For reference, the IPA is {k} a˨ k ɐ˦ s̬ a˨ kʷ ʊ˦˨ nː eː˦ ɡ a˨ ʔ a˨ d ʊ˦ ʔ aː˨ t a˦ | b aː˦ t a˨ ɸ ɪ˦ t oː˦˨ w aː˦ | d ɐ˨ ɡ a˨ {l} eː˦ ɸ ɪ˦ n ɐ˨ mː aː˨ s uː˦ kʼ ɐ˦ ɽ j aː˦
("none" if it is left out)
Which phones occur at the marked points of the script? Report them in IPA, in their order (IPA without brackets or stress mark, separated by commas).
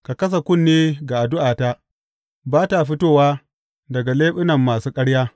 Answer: k, l